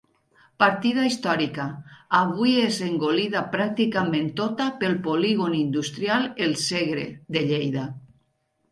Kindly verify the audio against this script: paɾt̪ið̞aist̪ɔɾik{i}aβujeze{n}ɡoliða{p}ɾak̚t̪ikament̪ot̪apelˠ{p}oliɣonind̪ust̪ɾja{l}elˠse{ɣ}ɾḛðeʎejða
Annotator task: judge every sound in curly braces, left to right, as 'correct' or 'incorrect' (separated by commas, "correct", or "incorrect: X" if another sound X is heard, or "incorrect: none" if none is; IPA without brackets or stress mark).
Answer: incorrect: a, incorrect: ŋ, correct, correct, correct, correct